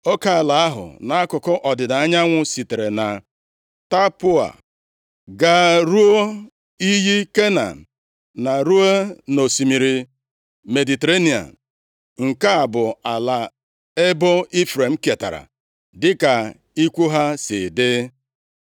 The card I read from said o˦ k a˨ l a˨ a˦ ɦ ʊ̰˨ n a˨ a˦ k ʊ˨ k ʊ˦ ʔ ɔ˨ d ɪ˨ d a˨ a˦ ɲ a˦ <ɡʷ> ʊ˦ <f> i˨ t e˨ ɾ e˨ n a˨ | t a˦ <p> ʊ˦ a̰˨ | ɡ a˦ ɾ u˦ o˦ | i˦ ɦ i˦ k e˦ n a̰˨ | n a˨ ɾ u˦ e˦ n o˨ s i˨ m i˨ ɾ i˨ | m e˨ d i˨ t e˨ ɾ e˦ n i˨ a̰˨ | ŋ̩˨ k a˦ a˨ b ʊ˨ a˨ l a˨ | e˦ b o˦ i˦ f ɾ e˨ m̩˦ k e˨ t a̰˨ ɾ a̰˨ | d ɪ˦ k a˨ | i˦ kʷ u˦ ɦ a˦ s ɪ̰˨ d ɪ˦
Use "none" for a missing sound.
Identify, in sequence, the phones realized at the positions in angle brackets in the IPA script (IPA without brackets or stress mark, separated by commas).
ŋʷ, s, p